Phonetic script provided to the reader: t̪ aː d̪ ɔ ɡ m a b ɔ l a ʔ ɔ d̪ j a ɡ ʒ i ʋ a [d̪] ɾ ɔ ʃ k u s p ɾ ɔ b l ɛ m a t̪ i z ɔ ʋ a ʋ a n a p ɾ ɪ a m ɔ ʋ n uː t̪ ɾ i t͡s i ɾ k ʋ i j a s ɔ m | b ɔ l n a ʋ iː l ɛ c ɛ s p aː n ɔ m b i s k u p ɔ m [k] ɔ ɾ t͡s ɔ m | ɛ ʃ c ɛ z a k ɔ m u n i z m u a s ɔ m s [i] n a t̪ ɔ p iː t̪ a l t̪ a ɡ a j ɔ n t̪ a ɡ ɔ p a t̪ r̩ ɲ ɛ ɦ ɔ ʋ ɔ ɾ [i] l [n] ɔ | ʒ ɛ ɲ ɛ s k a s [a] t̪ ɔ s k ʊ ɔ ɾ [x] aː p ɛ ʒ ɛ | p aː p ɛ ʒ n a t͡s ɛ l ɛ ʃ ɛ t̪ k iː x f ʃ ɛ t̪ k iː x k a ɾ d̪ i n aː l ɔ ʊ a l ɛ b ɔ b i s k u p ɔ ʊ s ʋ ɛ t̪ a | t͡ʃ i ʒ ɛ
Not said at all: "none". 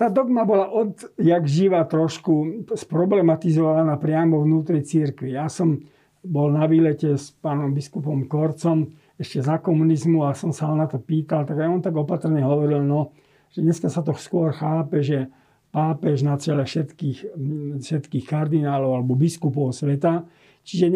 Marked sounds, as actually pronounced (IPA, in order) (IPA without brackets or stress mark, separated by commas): t̪, k, a, i, n, a, x